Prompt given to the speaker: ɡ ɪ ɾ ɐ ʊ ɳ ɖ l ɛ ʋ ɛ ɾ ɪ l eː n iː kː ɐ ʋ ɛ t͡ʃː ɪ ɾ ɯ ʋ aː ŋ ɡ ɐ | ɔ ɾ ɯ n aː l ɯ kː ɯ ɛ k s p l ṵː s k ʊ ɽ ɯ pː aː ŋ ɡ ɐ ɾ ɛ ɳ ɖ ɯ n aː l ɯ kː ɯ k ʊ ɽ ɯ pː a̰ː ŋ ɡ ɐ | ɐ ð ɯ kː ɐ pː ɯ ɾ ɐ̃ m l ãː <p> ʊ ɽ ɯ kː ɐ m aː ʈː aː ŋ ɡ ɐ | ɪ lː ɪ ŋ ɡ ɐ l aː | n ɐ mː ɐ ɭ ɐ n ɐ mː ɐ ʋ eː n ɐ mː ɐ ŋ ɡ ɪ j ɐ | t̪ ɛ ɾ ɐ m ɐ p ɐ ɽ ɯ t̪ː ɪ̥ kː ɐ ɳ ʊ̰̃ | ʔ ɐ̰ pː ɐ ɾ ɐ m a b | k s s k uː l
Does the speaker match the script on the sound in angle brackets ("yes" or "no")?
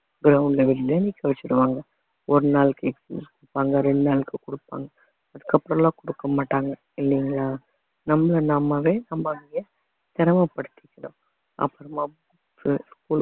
no